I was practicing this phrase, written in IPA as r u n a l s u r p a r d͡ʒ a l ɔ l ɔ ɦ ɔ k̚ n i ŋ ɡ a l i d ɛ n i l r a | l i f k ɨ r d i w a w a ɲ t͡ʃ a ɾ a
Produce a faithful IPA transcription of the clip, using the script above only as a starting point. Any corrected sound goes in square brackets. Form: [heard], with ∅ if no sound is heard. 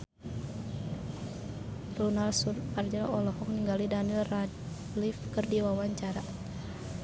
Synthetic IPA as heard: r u n a l s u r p a r d͡ʒ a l ɔ l ɔ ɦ ɔ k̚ n i ŋ ɡ a l i d [a] n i l r a | l i f k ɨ r d i w a w a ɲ t͡ʃ a ɾ a